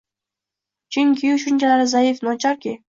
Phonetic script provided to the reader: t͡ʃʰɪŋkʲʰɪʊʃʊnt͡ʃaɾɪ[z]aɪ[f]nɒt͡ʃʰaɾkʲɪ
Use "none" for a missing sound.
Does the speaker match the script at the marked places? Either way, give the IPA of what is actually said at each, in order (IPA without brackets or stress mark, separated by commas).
z, f